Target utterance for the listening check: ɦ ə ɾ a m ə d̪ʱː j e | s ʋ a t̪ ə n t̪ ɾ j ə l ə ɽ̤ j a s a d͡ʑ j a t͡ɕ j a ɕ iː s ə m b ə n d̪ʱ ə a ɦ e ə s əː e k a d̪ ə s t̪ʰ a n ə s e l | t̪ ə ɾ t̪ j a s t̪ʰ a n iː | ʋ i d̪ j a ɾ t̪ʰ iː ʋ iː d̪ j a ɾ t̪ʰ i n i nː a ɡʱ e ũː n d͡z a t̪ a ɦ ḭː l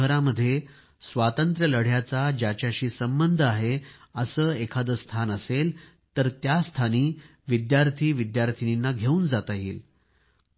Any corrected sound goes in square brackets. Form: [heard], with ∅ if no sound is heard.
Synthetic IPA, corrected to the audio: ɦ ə ɾ a m ə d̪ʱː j e | s ʋ a t̪ ə n t̪ ɾ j ə l ə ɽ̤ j a [t͡s] a d͡ʑ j a t͡ɕ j a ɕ iː s ə m b ə n d̪ʱ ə a ɦ e ə s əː e [kʰ] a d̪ ə s t̪ʰ a n ə s e l | t̪ ə ɾ t̪ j a s t̪ʰ a n iː | ʋ i d̪ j a ɾ t̪ʰ iː ʋ [i] d̪ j a ɾ t̪ʰ i n i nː a ɡʱ e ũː n d͡z a t̪ a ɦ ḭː l

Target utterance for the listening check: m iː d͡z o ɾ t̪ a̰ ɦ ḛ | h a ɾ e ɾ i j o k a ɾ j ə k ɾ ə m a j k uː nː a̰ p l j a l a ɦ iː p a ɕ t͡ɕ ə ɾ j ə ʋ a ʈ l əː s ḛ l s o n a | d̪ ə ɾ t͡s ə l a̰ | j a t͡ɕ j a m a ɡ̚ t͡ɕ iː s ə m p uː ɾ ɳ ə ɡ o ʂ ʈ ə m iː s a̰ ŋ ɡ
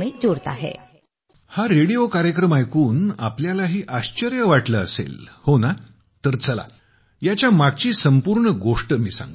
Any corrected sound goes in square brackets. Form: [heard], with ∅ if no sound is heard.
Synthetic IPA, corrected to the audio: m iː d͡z o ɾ t̪ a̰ ɦ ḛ | h a ɾ e [ɽ] i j o k a ɾ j ə k ɾ ə m a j k uː [n] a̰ p l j a l a ɦ iː [ʔ] a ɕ t͡ɕ ə ɾ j ə ʋ a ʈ l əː s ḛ l [h] o n a | [t̪] ə ɾ t͡s ə l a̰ | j a t͡ɕ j a m a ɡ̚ t͡ɕ iː s ə m p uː ɾ ɳ ə ɡ o ʂ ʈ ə m iː s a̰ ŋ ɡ

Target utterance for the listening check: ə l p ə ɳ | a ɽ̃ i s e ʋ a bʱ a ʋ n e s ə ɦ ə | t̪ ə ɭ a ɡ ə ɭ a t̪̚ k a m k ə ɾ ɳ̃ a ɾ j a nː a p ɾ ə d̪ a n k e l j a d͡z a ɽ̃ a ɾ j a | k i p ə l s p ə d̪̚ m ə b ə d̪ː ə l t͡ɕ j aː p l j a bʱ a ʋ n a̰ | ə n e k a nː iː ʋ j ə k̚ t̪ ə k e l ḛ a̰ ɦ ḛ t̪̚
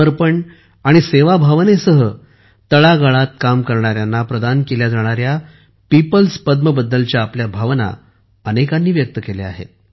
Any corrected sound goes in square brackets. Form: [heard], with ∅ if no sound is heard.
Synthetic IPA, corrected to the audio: ə [ɾ] p ə ɳ | a ɽ̃ i s e ʋ a bʱ a ʋ n e s ə ɦ ə | t̪ ə ɭ a ɡ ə ɭ a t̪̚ k a m k ə ɾ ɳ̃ a ɾ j a nː a p ɾ ə d̪ a n k e l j a d͡z a ɽ̃ a ɾ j a | [p] i p ə l s p ə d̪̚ m ə b ə d̪ː ə l t͡ɕ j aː p l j a bʱ a ʋ n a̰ | ə n e k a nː iː ʋ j ə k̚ t̪ ə k e l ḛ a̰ ɦ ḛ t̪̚

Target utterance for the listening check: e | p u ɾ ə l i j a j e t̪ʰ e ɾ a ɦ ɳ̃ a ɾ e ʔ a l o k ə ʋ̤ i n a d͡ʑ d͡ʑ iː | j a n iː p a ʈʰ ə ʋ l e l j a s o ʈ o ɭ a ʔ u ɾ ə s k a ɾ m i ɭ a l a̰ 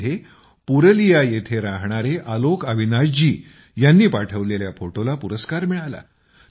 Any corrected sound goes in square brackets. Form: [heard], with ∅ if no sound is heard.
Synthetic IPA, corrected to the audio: e | p u ɾ ə l i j a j e t̪ʰ e ɾ a ɦ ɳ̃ a ɾ e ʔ a l o k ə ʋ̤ i n a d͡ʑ d͡ʑ iː | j a [nː] iː p a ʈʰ ə ʋ l e l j a [f] o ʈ o [l] a [p] u ɾ ə s k a ɾ m i ɭ a l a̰

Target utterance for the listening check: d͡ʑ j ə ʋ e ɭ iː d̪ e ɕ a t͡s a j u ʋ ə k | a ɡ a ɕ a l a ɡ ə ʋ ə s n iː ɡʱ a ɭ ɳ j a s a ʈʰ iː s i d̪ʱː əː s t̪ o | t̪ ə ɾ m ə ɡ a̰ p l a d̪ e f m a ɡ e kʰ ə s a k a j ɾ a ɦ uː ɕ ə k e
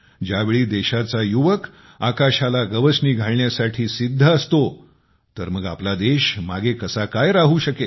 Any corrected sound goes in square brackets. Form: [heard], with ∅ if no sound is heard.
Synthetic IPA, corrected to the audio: d͡ʑ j [a] ʋ e ɭ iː d̪ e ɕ a t͡s a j u ʋ ə k | a [k] a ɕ a l a ɡ ə ʋ ə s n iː ɡʱ a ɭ ɳ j a s a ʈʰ iː s i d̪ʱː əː s t̪ o | t̪ ə ɾ m ə ɡ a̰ p l a d̪ e [ɕ] m a ɡ e [k] ə s a k a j ɾ a ɦ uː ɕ ə k e

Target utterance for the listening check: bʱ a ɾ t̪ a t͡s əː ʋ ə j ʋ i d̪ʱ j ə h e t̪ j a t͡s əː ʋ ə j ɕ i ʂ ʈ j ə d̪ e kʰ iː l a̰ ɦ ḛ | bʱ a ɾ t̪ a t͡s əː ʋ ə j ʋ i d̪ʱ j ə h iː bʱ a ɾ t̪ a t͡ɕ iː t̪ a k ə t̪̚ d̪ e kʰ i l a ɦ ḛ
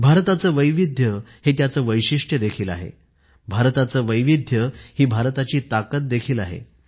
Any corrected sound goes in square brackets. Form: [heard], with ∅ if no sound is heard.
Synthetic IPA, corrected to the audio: bʱ a ɾ t̪ a t͡s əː ʋ ə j ʋ i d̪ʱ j ə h e t̪ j a t͡s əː ʋ ə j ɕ i ʂ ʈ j ə d̪ e kʰ iː l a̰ ɦ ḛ | bʱ a ɾ t̪ a t͡s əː ʋ ə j ʋ i d̪ʱ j ə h iː bʱ a ɾ t̪ a t͡ɕ iː t̪ a k ə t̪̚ d̪ e kʰ [iː] l a ɦ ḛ

